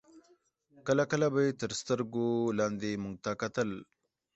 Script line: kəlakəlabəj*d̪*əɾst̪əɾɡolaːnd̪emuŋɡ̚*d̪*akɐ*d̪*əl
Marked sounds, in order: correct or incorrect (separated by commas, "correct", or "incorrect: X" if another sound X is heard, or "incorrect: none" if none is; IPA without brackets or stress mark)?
incorrect: t̪, incorrect: t̪, incorrect: t̪